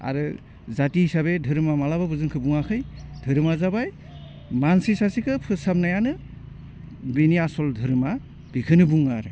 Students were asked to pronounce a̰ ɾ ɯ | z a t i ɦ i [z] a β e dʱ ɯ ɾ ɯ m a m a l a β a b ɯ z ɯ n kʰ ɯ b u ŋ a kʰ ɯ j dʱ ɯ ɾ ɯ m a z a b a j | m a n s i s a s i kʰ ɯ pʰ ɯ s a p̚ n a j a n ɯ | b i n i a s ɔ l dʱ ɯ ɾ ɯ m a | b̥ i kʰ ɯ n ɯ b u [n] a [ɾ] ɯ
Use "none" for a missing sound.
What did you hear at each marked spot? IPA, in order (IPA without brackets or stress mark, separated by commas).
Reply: s, ŋ, ɾ